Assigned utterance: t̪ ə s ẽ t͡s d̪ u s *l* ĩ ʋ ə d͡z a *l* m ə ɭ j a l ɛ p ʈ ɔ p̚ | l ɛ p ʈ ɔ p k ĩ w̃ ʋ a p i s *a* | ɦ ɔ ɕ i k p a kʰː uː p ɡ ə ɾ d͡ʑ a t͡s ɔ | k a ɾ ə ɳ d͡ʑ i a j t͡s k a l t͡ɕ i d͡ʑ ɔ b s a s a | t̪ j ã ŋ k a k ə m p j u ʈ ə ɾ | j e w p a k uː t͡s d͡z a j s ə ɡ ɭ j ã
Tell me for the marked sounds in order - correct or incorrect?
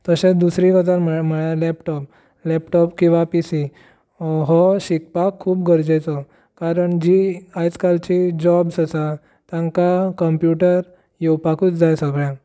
incorrect: ɾ, incorrect: ɾ, incorrect: i

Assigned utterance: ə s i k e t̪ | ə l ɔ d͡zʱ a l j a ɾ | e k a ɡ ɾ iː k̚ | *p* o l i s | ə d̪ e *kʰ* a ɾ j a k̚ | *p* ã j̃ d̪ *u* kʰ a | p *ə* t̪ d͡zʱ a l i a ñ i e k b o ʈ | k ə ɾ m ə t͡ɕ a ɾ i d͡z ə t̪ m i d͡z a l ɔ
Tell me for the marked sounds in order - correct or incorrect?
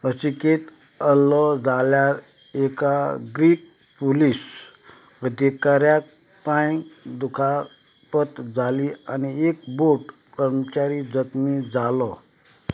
correct, incorrect: k, correct, correct, correct

